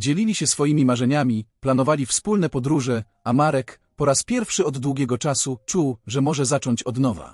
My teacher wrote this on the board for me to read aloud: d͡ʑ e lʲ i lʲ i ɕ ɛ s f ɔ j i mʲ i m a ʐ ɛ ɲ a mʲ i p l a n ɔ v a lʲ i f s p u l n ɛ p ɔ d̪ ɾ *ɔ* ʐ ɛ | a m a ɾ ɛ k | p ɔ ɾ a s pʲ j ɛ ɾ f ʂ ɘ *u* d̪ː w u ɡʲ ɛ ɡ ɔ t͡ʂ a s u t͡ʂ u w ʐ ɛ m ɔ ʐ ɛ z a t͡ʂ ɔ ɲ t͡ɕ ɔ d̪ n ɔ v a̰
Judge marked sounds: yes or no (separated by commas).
no, no